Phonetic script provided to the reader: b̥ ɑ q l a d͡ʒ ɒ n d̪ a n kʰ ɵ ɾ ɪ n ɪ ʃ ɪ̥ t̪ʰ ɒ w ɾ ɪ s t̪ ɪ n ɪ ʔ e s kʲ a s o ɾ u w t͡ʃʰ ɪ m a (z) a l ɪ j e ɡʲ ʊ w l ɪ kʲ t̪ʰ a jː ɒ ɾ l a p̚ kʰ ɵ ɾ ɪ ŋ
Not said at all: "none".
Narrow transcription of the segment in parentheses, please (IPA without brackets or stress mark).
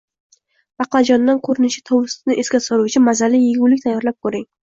z